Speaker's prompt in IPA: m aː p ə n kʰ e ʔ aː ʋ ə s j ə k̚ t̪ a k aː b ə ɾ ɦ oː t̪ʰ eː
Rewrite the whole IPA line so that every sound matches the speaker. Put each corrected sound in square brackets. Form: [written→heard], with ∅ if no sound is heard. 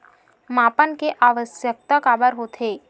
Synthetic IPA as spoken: m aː p ə n [kʰ→k] e ʔ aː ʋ ə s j ə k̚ t̪ a k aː b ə ɾ ɦ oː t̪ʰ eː